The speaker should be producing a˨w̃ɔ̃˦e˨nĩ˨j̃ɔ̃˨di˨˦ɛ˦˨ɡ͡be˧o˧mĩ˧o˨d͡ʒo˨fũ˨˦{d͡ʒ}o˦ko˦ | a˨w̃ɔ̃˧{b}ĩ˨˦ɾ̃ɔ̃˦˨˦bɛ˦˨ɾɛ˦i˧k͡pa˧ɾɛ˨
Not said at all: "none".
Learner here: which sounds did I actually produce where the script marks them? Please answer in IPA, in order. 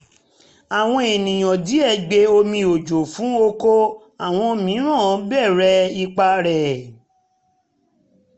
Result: none, m

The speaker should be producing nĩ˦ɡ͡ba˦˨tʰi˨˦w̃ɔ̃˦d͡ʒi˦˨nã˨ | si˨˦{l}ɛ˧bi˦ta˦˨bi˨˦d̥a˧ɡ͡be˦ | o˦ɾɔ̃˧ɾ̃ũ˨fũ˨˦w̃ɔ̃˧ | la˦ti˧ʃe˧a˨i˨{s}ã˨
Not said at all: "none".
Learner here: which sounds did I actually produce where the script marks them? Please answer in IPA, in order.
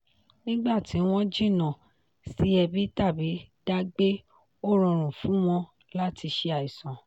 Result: none, s

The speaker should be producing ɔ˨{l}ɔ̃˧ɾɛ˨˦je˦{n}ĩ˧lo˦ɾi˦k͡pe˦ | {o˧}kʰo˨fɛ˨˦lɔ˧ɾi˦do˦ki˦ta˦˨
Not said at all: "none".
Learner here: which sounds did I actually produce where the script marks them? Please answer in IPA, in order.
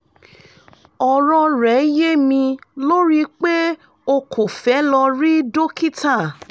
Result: ɾ, m, o˧

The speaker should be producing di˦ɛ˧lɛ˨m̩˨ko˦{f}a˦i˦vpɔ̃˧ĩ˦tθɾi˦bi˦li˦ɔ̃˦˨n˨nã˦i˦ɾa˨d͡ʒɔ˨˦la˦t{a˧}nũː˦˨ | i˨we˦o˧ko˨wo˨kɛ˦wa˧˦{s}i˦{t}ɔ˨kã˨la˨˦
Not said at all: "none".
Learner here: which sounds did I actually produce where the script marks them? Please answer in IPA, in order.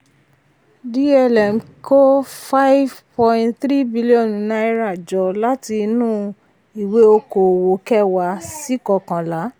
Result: f, i˧, s, k

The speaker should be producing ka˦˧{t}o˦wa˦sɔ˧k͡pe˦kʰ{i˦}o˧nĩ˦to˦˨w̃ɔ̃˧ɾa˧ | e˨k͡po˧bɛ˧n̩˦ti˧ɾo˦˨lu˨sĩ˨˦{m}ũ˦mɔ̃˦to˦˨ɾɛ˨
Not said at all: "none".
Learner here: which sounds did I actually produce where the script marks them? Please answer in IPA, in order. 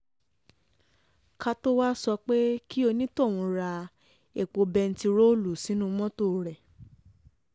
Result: t, i˦, n

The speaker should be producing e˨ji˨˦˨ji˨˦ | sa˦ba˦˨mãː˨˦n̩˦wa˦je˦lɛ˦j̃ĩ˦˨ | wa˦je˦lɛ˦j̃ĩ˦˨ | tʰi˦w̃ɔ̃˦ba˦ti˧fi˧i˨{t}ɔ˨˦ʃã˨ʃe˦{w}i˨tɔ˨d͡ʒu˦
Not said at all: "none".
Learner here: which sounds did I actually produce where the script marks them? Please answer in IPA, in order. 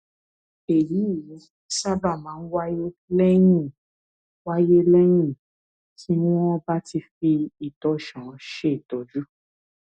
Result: t, none

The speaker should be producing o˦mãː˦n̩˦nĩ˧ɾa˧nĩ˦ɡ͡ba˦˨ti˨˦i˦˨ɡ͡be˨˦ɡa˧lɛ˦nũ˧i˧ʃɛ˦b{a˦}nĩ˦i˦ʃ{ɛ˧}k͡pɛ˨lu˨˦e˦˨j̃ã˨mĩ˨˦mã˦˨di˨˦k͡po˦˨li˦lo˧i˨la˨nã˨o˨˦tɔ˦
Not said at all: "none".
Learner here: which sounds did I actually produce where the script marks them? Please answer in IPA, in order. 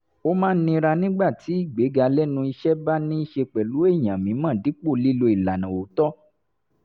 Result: a˦, e˧

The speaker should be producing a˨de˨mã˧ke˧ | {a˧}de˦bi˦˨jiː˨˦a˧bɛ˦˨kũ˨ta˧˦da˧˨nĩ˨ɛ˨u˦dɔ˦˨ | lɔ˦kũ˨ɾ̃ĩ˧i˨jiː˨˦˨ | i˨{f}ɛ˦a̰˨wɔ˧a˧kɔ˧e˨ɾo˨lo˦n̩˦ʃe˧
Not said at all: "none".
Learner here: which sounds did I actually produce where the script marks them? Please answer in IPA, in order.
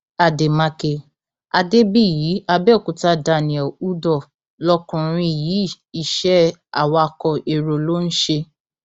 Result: a˧, ʃ

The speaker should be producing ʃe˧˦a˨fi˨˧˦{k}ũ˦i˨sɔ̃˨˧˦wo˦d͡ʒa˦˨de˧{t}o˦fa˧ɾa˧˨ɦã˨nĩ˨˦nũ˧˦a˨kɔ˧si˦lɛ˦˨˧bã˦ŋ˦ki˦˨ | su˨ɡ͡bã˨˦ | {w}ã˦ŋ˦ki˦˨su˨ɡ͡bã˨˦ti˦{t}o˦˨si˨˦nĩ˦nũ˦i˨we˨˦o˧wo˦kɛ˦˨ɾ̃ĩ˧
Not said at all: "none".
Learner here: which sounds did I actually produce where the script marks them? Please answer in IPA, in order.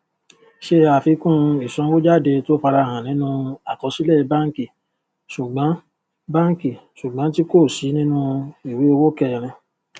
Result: k, t, b, k

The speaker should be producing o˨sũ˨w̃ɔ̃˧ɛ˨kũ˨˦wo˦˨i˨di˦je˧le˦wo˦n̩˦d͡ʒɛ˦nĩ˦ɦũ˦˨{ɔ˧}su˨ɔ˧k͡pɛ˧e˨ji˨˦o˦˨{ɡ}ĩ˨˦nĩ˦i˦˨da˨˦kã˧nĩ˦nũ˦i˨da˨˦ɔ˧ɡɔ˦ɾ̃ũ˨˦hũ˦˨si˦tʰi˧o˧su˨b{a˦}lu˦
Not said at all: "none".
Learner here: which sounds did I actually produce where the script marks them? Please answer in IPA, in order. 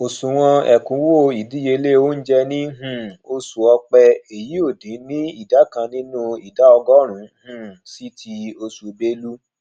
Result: o˧, d, e˦

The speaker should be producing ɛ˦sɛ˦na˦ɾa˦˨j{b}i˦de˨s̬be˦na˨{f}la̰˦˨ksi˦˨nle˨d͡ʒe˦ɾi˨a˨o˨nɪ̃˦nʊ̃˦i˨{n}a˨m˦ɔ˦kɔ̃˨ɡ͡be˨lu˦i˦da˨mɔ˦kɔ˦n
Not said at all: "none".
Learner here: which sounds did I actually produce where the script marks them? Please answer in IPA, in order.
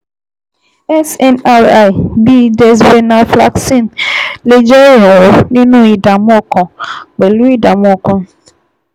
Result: b, f, d

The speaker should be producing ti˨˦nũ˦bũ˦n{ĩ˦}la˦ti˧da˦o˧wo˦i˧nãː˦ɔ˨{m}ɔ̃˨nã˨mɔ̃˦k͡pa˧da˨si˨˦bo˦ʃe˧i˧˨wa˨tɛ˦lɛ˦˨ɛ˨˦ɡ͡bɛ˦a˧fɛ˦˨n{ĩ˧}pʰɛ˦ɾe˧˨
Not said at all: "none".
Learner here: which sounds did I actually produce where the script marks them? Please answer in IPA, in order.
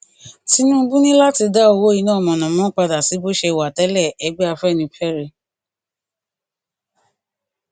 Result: ĩ˦, m, ĩ˧

